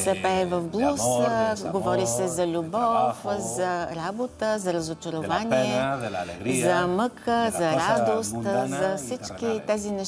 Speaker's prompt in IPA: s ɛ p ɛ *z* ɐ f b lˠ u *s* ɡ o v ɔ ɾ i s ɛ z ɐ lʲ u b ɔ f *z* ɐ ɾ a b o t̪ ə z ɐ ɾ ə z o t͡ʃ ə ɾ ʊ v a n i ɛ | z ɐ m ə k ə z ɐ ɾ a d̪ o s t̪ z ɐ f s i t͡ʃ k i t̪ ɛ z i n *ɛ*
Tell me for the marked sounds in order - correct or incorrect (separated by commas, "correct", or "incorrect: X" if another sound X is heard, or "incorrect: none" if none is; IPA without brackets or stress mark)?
incorrect: v, correct, correct, correct